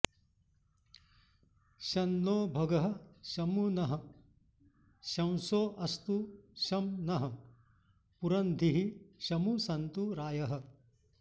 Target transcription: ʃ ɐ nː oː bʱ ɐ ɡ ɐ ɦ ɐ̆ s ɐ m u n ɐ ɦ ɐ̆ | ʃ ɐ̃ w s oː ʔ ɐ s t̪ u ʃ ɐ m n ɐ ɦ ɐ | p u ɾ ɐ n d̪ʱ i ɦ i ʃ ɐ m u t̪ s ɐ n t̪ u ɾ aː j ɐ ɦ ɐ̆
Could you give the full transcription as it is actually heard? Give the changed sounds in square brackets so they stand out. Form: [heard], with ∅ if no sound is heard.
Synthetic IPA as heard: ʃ ɐ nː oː bʱ ɐ ɡ ɐ ɦ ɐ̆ [ʃ] ɐ m u n ɐ ɦ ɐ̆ | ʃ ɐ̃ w s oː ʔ ɐ s t̪ u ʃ ɐ m n ɐ ɦ ɐ | p u ɾ ɐ n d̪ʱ i ɦ i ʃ ɐ m u [∅] s ɐ n t̪ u ɾ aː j ɐ ɦ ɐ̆